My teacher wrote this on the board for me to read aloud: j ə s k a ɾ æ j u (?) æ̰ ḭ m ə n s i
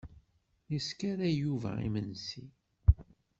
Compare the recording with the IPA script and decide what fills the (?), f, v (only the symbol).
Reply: v